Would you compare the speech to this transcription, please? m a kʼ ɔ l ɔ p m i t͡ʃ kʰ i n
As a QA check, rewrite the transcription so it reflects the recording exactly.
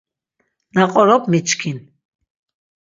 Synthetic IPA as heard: n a qʼ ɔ ɾ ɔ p m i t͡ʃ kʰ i n